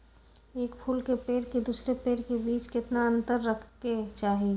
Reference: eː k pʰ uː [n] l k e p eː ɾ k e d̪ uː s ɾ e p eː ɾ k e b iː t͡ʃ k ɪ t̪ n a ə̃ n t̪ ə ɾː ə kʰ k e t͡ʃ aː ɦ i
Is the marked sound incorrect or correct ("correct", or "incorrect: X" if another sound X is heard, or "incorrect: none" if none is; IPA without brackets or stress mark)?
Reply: incorrect: none